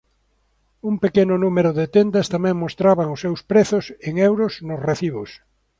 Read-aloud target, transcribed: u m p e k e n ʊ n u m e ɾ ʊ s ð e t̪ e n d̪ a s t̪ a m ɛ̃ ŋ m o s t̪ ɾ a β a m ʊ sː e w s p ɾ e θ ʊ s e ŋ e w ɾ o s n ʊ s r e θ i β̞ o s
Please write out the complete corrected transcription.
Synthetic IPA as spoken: u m p e k e n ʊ n u m e ɾ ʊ ð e t̪ e n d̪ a s t̪ a m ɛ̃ ŋ m o s t̪ ɾ a β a ŋ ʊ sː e w s p ɾ e θ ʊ s e ŋ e w ɾ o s n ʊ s r e θ i β̞ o s